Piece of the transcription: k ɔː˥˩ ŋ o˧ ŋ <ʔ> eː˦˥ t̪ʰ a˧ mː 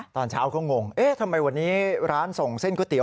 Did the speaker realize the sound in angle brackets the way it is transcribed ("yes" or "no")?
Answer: yes